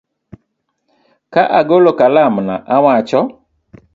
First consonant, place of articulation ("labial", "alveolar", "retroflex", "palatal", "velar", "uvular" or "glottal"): velar